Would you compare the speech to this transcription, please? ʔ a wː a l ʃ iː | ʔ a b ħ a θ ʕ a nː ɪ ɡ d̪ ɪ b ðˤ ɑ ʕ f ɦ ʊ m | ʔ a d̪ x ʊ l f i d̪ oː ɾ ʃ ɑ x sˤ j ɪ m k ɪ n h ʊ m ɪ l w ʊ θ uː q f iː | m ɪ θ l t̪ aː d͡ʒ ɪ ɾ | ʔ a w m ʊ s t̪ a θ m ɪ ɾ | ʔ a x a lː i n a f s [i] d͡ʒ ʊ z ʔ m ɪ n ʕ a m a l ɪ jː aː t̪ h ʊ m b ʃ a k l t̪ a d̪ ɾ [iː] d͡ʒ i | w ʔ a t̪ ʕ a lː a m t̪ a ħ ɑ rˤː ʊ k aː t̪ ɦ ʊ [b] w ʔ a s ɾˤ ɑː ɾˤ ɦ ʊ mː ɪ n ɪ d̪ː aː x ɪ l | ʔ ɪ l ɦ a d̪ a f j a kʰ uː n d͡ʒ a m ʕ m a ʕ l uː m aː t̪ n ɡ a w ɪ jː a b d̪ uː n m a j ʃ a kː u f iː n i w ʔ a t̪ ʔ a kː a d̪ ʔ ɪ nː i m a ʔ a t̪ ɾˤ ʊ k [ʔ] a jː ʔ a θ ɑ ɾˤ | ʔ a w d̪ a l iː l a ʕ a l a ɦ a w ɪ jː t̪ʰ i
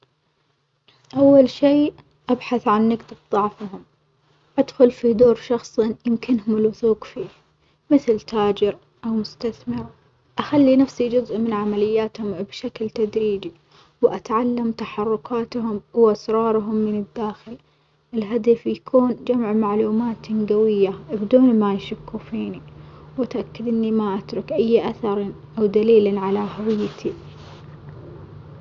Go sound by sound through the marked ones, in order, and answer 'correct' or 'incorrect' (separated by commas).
correct, correct, incorrect, correct